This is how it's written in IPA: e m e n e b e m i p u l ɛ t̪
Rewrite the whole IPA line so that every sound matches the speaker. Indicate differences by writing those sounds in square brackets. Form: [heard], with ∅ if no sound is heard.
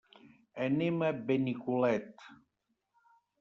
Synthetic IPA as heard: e [n] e [m] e b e [n] i [k] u l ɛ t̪